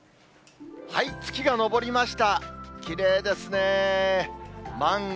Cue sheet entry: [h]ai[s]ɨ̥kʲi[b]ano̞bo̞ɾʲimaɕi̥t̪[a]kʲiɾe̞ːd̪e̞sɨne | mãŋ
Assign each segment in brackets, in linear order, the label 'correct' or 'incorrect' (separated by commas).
correct, incorrect, incorrect, correct